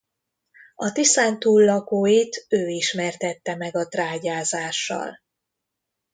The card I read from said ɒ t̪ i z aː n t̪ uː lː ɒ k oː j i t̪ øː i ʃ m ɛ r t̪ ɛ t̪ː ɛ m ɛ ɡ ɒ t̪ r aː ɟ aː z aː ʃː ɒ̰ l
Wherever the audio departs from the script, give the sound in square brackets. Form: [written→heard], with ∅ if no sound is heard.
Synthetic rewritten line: ɒ t̪ i [z→s] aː n t̪ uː lː ɒ k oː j i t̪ øː i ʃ m ɛ r t̪ ɛ t̪ː ɛ m ɛ ɡ ɒ t̪ r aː ɟ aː z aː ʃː ɒ̰ l